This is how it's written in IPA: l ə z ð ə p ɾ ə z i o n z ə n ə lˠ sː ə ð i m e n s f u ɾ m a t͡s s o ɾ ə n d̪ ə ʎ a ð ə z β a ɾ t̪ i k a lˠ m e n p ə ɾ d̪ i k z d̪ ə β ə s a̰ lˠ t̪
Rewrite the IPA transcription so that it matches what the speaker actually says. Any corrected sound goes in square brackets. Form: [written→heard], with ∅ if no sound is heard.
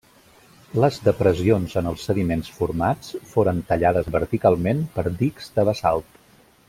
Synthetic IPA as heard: l ə z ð ə p ɾ ə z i o n z ə n ə lˠ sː ə ð i m e n s f u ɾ m a t͡s [s→f] o ɾ ə n [d̪→t̪] ə ʎ a ð ə z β [a→ə] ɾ t̪ i k a lˠ m e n p ə ɾ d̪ i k z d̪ ə β ə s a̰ lˠ t̪